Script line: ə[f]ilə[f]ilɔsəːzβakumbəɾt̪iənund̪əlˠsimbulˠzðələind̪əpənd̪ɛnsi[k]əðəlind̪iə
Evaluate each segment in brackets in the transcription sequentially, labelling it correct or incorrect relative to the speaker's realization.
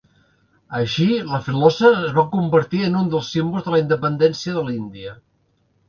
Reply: incorrect: ʃ, correct, incorrect: none

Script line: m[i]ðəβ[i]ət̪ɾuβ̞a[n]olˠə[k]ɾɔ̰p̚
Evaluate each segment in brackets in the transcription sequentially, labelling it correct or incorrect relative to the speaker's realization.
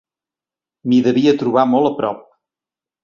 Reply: correct, correct, incorrect: m, incorrect: p

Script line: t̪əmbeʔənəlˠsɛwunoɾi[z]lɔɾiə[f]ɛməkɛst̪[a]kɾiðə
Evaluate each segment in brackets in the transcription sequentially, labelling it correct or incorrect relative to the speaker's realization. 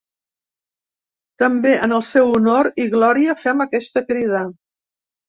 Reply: incorrect: ɣ, correct, incorrect: ə

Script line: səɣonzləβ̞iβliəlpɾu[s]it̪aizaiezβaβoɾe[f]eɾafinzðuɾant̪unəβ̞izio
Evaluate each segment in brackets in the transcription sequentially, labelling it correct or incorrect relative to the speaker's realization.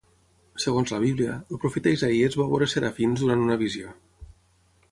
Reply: incorrect: f, incorrect: s

